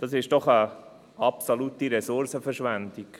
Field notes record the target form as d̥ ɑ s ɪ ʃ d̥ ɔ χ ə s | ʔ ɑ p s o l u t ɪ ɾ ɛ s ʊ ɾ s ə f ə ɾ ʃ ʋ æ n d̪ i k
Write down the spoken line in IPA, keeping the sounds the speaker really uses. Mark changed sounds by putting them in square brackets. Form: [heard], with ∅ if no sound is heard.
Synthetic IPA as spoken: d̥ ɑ s ɪ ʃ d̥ ɔ χ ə [∅] | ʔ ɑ p s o l u t [i] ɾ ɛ s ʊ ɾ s ə f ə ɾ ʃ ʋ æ n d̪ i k